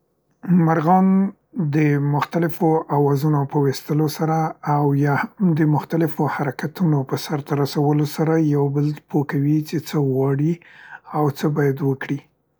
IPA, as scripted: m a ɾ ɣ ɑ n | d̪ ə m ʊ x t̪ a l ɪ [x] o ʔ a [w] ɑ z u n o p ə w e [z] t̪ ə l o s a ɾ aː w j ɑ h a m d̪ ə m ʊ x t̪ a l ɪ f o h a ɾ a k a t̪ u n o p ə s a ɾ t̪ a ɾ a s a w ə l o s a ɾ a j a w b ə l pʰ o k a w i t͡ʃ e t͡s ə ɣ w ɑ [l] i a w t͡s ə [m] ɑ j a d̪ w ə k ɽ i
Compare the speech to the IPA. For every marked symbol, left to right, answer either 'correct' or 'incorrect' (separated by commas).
incorrect, correct, incorrect, incorrect, incorrect